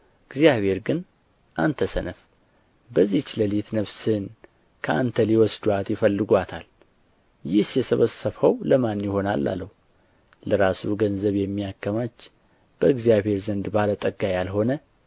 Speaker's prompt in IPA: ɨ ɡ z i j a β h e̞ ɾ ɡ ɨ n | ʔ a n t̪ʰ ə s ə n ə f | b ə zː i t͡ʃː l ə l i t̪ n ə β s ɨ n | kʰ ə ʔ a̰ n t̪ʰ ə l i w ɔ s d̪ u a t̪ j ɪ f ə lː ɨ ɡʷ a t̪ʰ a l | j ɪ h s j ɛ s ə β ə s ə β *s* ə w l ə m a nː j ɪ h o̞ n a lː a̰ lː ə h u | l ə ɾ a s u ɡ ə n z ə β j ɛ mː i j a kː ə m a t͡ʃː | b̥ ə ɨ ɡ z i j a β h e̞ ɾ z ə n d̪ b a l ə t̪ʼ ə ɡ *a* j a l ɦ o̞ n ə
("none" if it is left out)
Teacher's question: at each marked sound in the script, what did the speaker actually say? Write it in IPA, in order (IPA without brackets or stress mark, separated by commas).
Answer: h, a